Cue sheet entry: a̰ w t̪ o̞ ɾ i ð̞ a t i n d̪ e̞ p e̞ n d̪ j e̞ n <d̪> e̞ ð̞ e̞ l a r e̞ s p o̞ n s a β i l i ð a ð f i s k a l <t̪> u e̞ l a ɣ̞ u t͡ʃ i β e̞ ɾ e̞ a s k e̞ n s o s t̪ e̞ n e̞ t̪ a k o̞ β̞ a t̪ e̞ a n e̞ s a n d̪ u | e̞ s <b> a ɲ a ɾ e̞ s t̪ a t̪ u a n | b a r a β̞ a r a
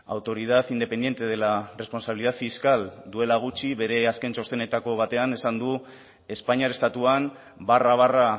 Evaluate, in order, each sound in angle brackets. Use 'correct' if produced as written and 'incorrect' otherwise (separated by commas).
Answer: incorrect, incorrect, incorrect